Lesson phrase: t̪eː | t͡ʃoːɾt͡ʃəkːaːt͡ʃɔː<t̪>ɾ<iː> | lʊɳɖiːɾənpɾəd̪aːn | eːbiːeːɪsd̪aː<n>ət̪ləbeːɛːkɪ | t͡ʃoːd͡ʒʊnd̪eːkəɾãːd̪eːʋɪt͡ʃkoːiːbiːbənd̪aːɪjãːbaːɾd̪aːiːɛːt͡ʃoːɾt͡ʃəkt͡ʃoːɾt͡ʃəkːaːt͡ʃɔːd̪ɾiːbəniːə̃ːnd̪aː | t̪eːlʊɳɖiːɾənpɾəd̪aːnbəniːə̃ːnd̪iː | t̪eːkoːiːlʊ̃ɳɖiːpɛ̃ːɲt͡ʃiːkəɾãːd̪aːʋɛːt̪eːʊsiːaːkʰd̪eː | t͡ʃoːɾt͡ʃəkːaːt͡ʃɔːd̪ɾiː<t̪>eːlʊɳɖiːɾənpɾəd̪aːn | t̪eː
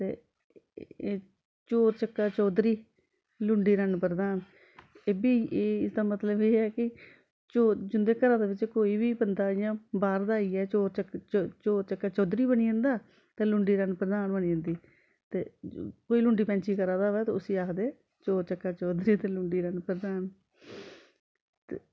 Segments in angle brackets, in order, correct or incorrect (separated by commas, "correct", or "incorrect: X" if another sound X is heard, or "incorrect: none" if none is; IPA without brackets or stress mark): incorrect: d̪, correct, incorrect: m, correct